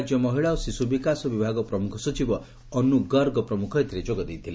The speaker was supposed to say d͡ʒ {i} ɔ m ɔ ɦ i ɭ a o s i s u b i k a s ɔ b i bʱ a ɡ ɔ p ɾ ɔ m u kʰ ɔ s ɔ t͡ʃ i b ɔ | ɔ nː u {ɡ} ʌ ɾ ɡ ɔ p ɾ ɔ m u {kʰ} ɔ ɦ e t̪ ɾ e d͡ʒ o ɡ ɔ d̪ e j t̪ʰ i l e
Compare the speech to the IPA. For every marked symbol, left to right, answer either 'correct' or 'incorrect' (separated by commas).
incorrect, correct, correct